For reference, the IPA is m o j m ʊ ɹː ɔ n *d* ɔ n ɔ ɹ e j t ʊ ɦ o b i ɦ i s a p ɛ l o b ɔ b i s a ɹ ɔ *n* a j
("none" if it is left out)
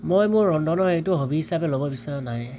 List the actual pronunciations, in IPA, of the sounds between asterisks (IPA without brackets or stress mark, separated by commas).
d, n